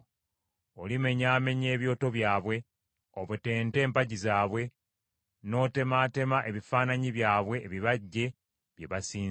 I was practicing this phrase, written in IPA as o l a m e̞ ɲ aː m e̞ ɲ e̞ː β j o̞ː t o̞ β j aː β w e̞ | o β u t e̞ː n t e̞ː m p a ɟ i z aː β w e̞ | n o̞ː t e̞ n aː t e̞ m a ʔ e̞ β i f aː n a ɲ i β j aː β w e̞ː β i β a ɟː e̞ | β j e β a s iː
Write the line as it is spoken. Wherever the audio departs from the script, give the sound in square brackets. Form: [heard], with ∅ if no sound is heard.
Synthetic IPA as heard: o l [i] m e̞ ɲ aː m e̞ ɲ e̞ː β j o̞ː t o̞ β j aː β w e̞ | o β u t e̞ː n t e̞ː m p a ɟ i z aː β w e̞ | n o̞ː t e̞ [m] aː t e̞ m a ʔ e̞ β i f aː n a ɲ i β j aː β w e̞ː β i β a ɟː e̞ | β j e β a s iː

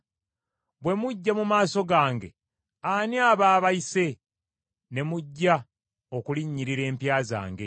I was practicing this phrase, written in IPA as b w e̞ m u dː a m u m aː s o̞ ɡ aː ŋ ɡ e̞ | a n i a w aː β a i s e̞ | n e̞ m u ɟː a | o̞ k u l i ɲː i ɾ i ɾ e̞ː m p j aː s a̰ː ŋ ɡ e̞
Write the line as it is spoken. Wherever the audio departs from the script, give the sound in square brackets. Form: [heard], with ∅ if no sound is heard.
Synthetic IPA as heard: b w e̞ m u [ɟː] a m u m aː s o̞ ɡ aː ŋ ɡ e̞ | a n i a [β] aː β a i s e̞ | n e̞ m u ɟː a | o̞ k u l i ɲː i ɾ i ɾ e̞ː m p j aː [z] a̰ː ŋ ɡ e̞

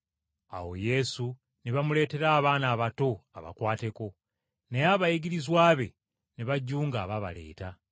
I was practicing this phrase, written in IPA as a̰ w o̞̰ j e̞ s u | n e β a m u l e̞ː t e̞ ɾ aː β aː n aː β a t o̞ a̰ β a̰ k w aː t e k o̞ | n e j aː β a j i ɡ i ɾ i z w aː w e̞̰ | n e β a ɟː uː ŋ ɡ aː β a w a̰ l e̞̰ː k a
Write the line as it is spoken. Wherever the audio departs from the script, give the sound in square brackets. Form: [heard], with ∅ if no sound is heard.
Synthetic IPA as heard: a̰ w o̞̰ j e̞ s u | n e β a m u l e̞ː t e̞ ɾ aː β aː n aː β a t o̞ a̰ β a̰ k w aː t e k o̞ | n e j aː β a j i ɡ i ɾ i z w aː [β] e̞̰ | n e β a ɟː uː ŋ ɡ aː β a [β] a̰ l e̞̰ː [t] a

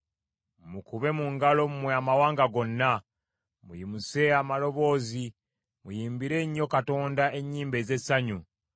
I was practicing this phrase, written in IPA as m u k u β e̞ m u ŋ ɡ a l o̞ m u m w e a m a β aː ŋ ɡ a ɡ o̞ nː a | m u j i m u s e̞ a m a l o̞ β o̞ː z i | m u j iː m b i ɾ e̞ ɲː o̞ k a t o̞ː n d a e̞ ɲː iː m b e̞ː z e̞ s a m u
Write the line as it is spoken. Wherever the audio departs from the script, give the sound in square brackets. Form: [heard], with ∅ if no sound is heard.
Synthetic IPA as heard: m u k u β e̞ m u ŋ ɡ a l o̞ m u m w e a m a [w] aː ŋ ɡ a ɡ o̞ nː a | m u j i m u s e̞ a m a l o̞ β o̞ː z i | m u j iː m b i ɾ e̞ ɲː o̞ k a t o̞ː n d a e̞ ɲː iː m b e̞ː z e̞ s a [ɲ] u

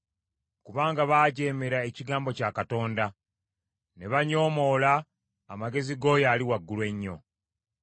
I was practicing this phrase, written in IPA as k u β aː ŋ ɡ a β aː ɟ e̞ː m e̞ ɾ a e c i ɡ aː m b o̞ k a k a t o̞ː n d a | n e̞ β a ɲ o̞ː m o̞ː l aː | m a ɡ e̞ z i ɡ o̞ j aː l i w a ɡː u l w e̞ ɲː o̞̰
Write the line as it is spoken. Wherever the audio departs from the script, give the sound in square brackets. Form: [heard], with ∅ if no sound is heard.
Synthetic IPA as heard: k u β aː ŋ ɡ a β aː ɟ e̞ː m e̞ ɾ a e c i ɡ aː m b o̞ [c] a k a t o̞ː n d a | n e̞ β a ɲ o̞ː m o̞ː l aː | m a ɡ e̞ z i ɡ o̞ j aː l i w a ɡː u l w e̞ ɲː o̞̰

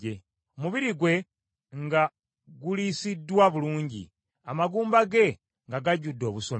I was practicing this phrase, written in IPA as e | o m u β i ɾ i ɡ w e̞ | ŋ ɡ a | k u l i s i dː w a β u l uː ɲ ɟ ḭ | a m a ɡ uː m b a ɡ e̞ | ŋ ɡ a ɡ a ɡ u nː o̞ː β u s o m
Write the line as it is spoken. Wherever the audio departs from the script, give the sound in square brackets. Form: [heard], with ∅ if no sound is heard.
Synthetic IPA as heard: e | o m u β i ɾ i ɡ w e̞ | ŋ ɡ a | [ɡ] u l i s i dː w a β u l uː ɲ ɟ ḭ | a m a ɡ uː m b a ɡ e̞ | ŋ ɡ a ɡ a [ɟ] u [dː] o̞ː β u s o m

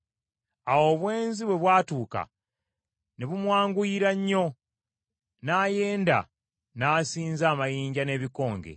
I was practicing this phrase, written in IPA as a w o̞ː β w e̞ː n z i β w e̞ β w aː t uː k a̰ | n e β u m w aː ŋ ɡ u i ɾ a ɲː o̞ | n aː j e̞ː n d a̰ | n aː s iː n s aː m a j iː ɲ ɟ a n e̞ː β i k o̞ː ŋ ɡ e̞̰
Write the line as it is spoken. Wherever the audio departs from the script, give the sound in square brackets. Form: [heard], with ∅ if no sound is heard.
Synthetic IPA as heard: a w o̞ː β w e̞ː n z i β w e̞ β w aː t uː k a̰ | n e β u m w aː ŋ ɡ u i ɾ a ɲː o̞ | n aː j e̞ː n d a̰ | n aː s iː n [z] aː m a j iː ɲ ɟ a n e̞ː β i k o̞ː ŋ ɡ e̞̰

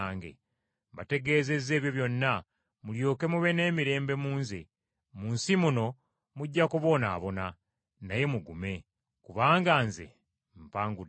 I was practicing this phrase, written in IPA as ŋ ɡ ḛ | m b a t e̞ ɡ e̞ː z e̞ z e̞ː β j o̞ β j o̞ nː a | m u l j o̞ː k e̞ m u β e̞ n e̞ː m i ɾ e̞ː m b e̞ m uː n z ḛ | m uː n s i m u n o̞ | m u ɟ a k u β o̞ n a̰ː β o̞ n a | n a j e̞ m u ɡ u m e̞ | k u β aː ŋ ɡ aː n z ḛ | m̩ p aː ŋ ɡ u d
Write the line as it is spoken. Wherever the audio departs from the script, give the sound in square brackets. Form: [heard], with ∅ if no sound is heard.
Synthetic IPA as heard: ŋ ɡ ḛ | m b a t e̞ ɡ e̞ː z e̞ z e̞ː β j o̞ β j o̞ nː a | m u l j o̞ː k e̞ m u β e̞ n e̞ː m i ɾ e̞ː m b e̞ m uː n z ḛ | m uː n s i m u n o̞ | m u [ɟː] a k u β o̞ n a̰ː β o̞ n a | n a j e̞ m u ɡ u m e̞ | k u β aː ŋ ɡ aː n z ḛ | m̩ p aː ŋ ɡ u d

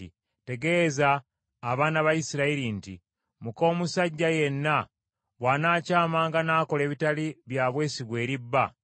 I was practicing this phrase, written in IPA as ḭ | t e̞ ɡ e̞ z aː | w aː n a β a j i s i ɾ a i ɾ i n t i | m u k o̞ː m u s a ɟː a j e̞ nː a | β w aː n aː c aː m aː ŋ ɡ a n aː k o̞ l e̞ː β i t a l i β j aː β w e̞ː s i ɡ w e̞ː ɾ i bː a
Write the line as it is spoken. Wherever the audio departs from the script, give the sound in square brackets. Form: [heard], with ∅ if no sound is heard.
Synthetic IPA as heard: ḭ | t e̞ ɡ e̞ z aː | [β] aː n a β a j i s i ɾ a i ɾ i n t i | m u k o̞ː m u s a ɟː a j e̞ nː a | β w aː n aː c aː m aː ŋ ɡ a n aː k o̞ l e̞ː β i t a l i β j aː β w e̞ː s i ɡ w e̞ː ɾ i bː a

